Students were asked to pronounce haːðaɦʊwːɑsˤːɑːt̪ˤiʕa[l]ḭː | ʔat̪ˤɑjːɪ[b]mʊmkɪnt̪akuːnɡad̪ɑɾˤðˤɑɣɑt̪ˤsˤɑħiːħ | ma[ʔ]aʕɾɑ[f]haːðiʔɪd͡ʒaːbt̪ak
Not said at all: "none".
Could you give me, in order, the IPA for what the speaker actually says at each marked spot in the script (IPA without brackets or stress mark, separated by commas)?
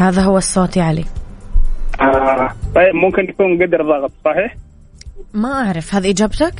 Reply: l, b, ʔ, f